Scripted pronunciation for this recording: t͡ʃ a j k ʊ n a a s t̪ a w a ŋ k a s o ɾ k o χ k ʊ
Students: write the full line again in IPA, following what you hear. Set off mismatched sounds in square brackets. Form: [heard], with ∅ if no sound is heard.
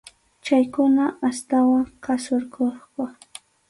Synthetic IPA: t͡ʃ a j k ʊ n a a s t̪ a w a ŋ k a s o ɾ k o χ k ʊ